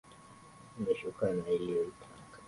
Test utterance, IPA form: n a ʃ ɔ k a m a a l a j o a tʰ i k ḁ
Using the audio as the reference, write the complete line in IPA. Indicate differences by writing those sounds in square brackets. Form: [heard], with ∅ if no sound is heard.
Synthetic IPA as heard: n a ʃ [u] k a [n] a [i] l [i] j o [i] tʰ [a] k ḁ